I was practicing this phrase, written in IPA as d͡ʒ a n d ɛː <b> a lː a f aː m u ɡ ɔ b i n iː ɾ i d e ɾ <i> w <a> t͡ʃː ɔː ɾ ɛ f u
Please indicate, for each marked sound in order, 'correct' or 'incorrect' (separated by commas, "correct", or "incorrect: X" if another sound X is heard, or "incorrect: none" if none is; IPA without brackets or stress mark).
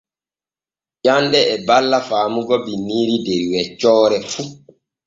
correct, correct, incorrect: ɛ